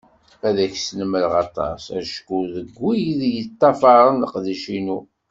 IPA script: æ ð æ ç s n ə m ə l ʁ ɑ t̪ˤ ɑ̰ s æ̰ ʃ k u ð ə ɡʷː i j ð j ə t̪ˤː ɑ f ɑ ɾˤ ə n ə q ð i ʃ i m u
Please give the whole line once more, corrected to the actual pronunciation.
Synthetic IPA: æ ð æ ç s n ə m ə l ʁ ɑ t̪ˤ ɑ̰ s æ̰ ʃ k u ð ə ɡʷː i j ð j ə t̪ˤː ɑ f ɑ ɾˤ ə n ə q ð i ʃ i n u